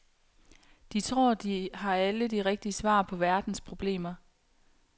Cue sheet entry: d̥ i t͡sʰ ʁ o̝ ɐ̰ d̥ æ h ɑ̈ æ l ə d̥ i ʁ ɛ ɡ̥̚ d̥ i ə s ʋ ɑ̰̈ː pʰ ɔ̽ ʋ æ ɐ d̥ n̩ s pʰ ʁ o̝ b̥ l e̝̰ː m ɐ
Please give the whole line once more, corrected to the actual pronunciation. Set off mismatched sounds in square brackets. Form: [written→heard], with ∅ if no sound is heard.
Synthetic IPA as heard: d̥ i t͡sʰ ʁ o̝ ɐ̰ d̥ [æ→i] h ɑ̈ æ l ə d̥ i ʁ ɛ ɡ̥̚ d̥ i ə s ʋ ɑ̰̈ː pʰ [ɔ̽→ɒ̽] ʋ æ ɐ d̥ n̩ s pʰ ʁ o̝ b̥ l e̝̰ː m ɐ